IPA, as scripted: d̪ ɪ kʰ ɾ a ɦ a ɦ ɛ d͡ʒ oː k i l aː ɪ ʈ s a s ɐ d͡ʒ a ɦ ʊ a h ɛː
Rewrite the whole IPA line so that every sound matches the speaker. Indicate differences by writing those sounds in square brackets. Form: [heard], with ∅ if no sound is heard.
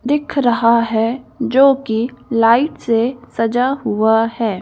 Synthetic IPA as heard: d̪ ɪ kʰ ɾ [ɐ] ɦ a ɦ ɛ d͡ʒ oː k i l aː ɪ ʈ s [e] s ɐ d͡ʒ a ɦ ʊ a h ɛː

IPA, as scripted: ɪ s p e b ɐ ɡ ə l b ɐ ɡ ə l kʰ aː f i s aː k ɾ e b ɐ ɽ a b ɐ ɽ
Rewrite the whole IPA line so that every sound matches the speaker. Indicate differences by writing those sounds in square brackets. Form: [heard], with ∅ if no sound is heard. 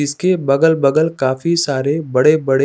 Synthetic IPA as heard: ɪ s [k] e b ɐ ɡ ə l b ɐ ɡ ə l [k] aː f i s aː [∅] ɾ e b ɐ ɽ [e] b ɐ ɽ

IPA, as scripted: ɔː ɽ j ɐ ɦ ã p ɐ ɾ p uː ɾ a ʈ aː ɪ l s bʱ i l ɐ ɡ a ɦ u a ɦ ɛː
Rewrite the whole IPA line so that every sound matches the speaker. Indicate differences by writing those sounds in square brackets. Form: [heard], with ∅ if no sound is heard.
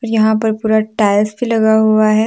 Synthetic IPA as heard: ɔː [ɾ] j ɐ ɦ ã p ɐ ɾ p uː ɾ a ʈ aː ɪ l s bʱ i l ɐ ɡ a ɦ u a ɦ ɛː

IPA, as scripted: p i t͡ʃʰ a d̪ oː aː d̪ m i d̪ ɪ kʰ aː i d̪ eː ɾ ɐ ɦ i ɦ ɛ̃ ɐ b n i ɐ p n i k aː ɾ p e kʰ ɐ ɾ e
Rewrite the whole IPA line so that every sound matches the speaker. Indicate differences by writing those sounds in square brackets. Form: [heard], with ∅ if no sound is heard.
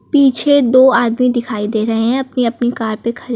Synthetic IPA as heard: p [iː] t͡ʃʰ [e] d̪ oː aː d̪ m i d̪ ɪ kʰ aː i d̪ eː ɾ ɐ ɦ [e] ɦ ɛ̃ ɐ [p] n i ɐ p n i k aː ɾ p e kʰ ɐ ɾ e

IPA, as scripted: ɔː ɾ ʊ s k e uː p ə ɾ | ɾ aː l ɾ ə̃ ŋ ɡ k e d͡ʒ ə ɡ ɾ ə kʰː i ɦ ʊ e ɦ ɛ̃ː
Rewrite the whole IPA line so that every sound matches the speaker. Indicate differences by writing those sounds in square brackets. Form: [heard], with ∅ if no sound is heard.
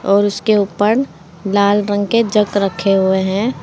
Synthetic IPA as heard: ɔː ɾ ʊ s k e uː p ə ɾ | [l] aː l ɾ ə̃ ŋ ɡ k e d͡ʒ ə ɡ ɾ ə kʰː [e] ɦ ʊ e ɦ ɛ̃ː

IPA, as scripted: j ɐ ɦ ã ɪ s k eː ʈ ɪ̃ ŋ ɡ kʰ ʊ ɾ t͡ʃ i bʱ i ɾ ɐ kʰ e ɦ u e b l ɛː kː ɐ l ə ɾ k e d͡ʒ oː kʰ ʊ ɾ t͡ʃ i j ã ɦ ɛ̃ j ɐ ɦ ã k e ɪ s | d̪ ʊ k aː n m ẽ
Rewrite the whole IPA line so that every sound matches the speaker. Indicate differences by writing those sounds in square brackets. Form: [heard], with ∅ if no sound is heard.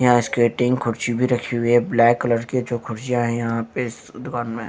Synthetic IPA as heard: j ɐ ɦ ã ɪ s k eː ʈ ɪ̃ ŋ ɡ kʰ ʊ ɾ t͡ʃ i bʱ i ɾ ɐ kʰ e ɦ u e b l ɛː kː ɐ l ə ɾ k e d͡ʒ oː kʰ ʊ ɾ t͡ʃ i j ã ɦ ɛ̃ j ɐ ɦ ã [p] e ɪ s | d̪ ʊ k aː n m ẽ

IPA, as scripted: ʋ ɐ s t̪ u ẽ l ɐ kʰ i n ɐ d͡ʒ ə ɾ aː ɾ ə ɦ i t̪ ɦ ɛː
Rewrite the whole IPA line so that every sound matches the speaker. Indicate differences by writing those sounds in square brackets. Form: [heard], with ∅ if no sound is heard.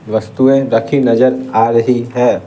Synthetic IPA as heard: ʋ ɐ s t̪ u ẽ [ɾ] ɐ kʰ i n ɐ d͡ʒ ə ɾ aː ɾ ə ɦ i [∅] ɦ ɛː

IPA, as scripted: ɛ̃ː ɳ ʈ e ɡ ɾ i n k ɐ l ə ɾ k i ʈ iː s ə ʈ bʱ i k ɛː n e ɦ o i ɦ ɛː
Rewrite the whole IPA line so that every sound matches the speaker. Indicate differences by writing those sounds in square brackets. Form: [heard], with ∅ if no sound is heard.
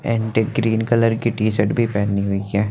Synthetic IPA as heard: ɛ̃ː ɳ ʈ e ɡ ɾ [iː] n k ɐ l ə ɾ k i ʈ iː s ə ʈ bʱ i [p] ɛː n [i] ɦ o i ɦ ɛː

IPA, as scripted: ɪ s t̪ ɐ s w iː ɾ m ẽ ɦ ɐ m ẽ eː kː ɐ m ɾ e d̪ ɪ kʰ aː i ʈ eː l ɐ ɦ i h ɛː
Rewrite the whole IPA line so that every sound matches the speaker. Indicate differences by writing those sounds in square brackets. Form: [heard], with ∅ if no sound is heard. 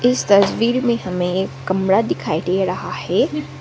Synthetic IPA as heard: ɪ s t̪ ɐ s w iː ɾ m ẽ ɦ ɐ m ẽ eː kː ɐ m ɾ [a] d̪ ɪ kʰ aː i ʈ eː [ɾ] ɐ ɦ [a] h ɛː

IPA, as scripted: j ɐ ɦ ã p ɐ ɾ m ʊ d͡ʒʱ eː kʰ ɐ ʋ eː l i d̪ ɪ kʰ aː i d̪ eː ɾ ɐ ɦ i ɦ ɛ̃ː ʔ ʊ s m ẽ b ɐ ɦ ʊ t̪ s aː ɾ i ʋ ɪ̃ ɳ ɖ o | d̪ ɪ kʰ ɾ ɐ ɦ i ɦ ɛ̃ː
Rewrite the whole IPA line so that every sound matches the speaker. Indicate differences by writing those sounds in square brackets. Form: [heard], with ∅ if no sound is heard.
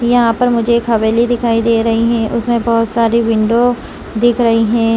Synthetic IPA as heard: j ɐ ɦ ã p ɐ ɾ m ʊ d͡ʒʱ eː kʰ ɐ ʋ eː l i d̪ ɪ kʰ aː i d̪ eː ɾ ɐ ɦ i ɦ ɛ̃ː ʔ ʊ s m ẽ b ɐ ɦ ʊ t̪ s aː ɾ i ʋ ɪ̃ ɳ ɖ o | d̪ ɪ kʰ ɾ ɐ ɦ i ɦ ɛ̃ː

